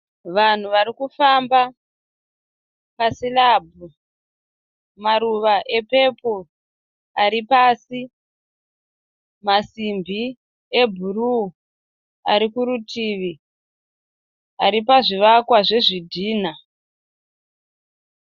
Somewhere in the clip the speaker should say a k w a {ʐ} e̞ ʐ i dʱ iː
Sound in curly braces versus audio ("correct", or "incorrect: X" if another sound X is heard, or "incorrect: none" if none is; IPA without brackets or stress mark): correct